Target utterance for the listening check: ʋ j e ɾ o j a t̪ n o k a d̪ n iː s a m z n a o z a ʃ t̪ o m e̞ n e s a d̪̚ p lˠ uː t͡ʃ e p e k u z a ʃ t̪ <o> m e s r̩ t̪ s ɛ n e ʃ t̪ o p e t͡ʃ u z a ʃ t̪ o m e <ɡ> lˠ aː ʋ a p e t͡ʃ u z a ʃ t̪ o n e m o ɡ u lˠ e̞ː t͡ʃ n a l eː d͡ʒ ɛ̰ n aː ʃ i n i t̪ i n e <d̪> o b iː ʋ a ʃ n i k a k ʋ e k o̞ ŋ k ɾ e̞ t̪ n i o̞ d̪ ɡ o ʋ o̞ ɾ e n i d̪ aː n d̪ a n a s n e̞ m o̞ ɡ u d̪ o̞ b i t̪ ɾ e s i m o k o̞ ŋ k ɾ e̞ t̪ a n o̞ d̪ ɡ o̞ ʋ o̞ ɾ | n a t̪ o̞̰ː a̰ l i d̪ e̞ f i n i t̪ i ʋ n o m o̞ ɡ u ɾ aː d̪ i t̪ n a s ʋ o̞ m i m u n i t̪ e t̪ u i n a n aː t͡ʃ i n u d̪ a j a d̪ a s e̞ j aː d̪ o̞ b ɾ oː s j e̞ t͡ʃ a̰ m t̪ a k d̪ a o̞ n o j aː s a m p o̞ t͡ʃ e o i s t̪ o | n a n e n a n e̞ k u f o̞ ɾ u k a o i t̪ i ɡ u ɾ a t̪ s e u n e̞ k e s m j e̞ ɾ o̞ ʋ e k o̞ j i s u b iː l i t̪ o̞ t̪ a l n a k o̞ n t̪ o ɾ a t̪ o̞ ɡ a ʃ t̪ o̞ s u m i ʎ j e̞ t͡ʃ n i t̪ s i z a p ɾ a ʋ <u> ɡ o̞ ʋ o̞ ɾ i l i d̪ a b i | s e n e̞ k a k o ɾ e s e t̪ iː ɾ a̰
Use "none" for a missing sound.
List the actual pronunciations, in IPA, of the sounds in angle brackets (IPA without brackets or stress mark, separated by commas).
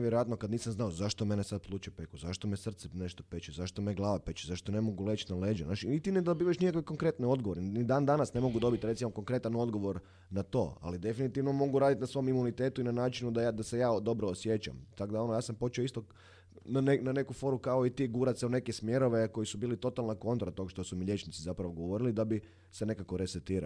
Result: o, ɡ, d̪, o